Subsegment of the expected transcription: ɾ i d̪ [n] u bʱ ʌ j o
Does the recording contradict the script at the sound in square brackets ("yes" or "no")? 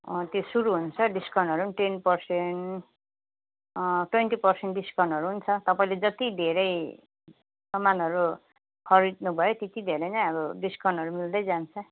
no